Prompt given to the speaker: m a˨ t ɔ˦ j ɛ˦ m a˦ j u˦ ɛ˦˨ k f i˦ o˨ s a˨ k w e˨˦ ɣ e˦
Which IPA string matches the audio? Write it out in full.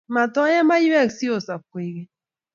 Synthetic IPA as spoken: m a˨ t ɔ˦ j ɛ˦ m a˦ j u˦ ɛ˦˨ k s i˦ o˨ s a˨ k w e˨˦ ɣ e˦